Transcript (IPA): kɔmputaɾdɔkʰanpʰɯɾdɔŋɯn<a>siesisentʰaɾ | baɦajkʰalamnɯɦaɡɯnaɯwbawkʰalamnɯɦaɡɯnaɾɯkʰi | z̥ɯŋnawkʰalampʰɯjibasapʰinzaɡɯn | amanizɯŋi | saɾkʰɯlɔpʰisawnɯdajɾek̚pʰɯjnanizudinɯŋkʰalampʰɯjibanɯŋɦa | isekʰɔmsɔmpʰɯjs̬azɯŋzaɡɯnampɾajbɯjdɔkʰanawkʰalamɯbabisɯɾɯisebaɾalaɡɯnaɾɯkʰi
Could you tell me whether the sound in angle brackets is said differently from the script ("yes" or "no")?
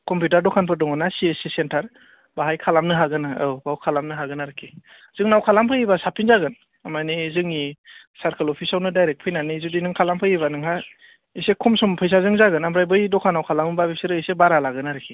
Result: no